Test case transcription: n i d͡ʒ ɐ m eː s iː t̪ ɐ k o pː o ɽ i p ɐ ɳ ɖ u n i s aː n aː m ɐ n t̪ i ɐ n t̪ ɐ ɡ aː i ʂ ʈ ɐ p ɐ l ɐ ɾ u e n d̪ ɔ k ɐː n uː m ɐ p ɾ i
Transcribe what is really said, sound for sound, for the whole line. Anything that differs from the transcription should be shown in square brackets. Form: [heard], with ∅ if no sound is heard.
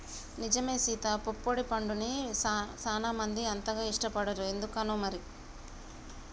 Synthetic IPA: n i d͡ʒ ɐ m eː s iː t̪ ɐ [p] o pː o ɽ i p ɐ ɳ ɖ u n i s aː n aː m ɐ n [d̪] i ɐ n t̪ ɐ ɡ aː i ʂ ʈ ɐ p ɐ [ɽ] ɐ ɾ u e n d̪ [u] k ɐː n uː m ɐ [∅] ɾ i

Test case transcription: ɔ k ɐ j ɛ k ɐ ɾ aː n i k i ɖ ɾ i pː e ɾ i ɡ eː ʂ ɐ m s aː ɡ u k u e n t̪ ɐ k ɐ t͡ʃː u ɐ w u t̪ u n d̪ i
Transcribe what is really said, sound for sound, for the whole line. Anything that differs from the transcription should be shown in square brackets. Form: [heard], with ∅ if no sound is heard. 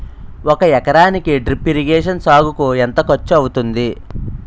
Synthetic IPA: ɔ k ɐ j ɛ k ɐ ɾ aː n i k i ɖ ɾ i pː [i] ɾ i ɡ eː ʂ ɐ [n] s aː ɡ u k u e n t̪ ɐ k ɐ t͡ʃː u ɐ w u t̪ u n d̪ i

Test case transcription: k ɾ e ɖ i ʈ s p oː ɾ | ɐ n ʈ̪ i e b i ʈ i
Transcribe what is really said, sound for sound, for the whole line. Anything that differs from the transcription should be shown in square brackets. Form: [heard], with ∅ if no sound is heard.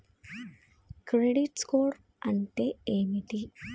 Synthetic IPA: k ɾ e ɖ i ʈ s [k] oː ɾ | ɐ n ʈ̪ [e] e [m] i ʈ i

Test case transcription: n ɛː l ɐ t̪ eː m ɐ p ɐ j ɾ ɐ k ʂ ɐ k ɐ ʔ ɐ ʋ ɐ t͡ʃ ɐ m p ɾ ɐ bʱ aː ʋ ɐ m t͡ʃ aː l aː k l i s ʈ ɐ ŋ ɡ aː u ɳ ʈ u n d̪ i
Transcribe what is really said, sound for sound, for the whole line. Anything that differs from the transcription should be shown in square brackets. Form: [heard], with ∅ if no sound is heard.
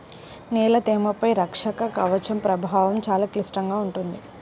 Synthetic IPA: n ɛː l ɐ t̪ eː m ɐ p ɐ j ɾ ɐ k ʂ ɐ k ɐ [k] ɐ ʋ ɐ t͡ʃ ɐ m p ɾ ɐ bʱ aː ʋ ɐ m t͡ʃ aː l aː k l i s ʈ ɐ ŋ ɡ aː u ɳ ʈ u n d̪ i

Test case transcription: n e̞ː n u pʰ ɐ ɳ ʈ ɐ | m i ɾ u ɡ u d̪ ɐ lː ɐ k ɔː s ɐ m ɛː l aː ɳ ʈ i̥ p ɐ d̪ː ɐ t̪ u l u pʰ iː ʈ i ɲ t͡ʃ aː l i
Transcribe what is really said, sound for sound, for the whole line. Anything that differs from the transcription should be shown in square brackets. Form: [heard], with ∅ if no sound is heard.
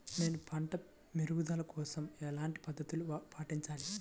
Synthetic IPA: n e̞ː n u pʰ ɐ ɳ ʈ ɐ | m i ɾ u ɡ u d̪ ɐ [l] ɐ k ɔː s ɐ m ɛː l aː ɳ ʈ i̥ p ɐ d̪ː ɐ t̪ u l u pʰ [aː] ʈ i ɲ t͡ʃ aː l i

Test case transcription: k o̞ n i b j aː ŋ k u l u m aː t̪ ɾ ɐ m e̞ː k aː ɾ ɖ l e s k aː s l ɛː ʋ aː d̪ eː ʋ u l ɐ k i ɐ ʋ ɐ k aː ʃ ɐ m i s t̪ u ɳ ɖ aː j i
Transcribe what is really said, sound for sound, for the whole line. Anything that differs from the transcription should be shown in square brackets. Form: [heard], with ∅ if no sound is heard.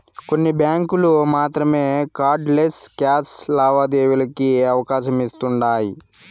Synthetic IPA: k o̞ [nː] i b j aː ŋ k u l u m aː t̪ ɾ ɐ m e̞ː k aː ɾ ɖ l e s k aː s l [aː] ʋ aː d̪ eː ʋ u l ɐ k i ɐ ʋ ɐ k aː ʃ ɐ m i s t̪ u ɳ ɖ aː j i

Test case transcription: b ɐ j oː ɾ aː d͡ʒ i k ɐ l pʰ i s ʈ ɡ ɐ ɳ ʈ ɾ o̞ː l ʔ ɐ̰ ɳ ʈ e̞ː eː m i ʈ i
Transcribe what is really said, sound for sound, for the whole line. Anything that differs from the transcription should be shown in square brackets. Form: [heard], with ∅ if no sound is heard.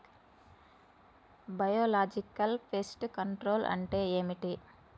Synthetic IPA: b ɐ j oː [l] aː d͡ʒ i k ɐ l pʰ [e] s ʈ [k] ɐ ɳ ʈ ɾ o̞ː l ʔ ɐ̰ ɳ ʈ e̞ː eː m i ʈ i

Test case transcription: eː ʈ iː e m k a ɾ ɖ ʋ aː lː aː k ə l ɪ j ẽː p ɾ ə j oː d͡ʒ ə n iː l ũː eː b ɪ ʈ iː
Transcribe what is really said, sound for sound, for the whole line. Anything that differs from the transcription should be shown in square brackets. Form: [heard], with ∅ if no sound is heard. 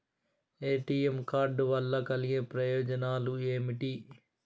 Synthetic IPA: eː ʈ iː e m k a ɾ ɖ ʋ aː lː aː k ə l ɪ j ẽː p ɾ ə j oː d͡ʒ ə n [aː] l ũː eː [m] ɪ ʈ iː

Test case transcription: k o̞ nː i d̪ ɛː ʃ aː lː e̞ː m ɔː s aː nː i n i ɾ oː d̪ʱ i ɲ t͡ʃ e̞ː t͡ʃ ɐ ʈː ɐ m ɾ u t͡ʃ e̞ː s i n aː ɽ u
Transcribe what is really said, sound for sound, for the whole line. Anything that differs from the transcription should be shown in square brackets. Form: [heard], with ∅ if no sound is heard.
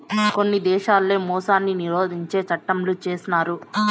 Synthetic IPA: k o̞ nː i d̪ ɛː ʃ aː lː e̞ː m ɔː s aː nː i n i ɾ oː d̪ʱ i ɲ t͡ʃ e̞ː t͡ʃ ɐ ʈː ɐ m [l] u t͡ʃ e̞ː s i n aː [ɾ] u

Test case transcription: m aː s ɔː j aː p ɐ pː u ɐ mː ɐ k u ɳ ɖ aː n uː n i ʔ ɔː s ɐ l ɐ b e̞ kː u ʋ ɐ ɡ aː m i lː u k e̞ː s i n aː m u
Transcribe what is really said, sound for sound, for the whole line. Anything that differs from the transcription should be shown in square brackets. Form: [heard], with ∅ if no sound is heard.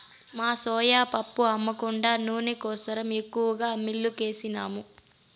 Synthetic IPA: m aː s ɔː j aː p ɐ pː u ɐ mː ɐ k u ɳ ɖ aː n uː n i [k] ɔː s ɐ [ɾ] ɐ [m] e̞ kː u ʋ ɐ ɡ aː m i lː u k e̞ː s i n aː m u

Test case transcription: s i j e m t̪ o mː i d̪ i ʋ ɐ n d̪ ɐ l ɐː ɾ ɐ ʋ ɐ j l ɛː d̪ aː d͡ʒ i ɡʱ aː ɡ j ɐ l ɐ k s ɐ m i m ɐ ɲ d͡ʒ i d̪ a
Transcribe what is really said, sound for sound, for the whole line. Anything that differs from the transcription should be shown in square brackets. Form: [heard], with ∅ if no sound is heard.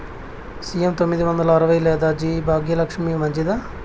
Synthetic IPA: s i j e m t̪ o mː i d̪ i ʋ ɐ n d̪ ɐ l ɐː ɾ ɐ ʋ ɐ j l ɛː d̪ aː d͡ʒ i [bʱ] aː ɡ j ɐ l ɐ k [ʂ] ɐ m i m ɐ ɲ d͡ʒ i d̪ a

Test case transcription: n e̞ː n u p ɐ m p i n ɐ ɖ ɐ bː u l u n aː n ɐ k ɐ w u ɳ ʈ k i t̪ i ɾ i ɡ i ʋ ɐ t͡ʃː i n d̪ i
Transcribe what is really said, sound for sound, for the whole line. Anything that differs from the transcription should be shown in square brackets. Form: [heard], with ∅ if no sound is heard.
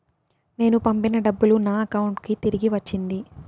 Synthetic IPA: n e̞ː n u p ɐ m p i n ɐ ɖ ɐ bː u l u n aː [∅] ɐ k ɐ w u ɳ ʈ k i t̪ i ɾ i ɡ i ʋ ɐ t͡ʃː i n d̪ i

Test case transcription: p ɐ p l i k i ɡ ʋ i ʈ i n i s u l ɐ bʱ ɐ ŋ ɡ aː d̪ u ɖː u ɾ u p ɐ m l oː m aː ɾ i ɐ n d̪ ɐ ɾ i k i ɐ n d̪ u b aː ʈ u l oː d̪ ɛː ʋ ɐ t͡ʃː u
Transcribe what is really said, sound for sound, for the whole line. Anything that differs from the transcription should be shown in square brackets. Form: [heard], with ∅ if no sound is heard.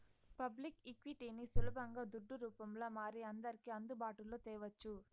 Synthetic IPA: p ɐ [b] l i k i [k] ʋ i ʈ i n i s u l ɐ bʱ ɐ ŋ ɡ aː d̪ u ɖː u ɾ [uː] p ɐ m l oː m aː ɾ i ɐ n d̪ ɐ ɾ i k i ɐ n d̪ u b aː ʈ u l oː [t̪] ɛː ʋ ɐ t͡ʃː u

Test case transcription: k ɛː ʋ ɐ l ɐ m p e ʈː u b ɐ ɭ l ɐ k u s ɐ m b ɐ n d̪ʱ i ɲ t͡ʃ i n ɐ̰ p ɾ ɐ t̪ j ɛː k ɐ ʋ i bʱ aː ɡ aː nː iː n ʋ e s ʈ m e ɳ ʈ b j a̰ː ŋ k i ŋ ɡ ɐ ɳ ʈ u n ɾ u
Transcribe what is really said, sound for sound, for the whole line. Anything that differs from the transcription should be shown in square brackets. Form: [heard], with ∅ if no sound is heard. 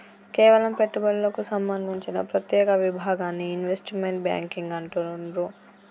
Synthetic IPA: k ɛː ʋ ɐ l ɐ m p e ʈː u b ɐ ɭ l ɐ k u s ɐ m b ɐ n d̪ʱ i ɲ t͡ʃ i n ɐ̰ p ɾ ɐ t̪ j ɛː k ɐ ʋ i bʱ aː ɡ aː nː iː n ʋ e s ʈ m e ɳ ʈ b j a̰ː ŋ k i ŋ ɡ ɐ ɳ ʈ u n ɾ u

